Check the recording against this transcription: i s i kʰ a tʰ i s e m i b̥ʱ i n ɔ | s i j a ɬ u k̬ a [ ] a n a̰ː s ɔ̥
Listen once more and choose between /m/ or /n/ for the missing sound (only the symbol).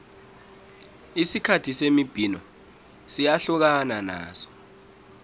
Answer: n